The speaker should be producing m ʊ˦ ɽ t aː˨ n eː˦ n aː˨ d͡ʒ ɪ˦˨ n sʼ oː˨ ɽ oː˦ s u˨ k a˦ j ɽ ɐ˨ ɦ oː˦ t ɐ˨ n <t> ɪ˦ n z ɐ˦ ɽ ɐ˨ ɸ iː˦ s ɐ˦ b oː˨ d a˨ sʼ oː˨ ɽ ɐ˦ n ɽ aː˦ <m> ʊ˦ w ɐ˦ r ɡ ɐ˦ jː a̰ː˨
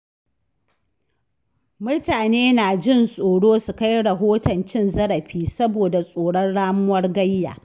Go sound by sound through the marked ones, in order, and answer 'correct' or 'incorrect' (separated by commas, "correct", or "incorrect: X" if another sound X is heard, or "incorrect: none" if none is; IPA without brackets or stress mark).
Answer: incorrect: t͡ʃ, correct